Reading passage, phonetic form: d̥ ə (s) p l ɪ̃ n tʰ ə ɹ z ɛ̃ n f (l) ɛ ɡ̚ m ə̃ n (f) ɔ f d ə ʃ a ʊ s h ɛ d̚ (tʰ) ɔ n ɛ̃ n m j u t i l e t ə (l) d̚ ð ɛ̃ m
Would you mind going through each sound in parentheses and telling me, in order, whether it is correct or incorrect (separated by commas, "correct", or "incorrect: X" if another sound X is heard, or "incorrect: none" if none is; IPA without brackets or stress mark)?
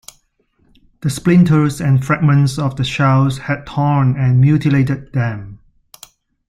correct, incorrect: ɹ, incorrect: s, correct, incorrect: none